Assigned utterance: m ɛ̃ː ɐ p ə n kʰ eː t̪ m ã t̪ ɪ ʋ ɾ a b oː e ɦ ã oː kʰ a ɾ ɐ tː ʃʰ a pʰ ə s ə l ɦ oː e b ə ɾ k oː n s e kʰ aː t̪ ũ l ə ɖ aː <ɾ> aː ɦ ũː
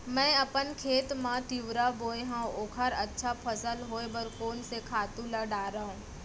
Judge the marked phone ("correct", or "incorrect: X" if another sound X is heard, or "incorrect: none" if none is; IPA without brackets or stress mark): correct